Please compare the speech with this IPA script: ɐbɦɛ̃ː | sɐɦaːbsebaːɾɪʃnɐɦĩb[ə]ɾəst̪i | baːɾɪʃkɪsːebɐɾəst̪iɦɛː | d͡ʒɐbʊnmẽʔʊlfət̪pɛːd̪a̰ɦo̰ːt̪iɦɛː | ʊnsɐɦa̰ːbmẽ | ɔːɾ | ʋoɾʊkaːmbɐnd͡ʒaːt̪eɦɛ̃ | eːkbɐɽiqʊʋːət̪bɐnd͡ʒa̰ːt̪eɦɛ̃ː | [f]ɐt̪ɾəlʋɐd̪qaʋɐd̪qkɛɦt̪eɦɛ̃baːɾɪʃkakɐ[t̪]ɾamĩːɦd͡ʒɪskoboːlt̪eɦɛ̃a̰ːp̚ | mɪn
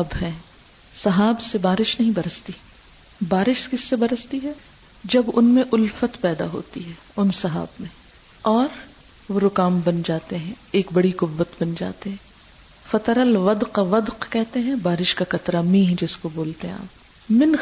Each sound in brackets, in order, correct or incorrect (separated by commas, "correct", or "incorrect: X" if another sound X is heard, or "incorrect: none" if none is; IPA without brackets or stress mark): incorrect: ɐ, correct, correct